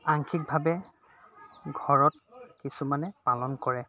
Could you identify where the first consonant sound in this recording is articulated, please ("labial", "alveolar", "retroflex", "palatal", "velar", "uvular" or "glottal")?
velar